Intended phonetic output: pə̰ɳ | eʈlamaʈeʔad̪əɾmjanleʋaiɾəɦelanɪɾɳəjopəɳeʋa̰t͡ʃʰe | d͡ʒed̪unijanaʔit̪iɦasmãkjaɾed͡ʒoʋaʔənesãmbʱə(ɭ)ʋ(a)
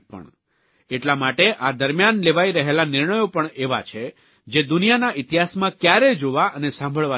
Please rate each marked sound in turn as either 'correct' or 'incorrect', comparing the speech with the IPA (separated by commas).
correct, correct